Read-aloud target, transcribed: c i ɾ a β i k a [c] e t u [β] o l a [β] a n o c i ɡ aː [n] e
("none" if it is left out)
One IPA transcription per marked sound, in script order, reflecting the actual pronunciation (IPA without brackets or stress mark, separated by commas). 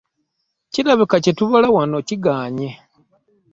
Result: c, β, w, ɲ